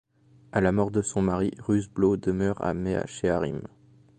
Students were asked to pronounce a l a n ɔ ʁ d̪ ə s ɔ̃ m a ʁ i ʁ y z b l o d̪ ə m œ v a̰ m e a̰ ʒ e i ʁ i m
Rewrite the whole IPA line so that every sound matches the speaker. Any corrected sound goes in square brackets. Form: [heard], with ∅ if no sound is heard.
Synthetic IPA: a l a [m] ɔ ʁ d̪ ə s ɔ̃ m a ʁ i ʁ y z b l o d̪ ə m œ [ʁ] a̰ m e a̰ [ʃ] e [a] ʁ i m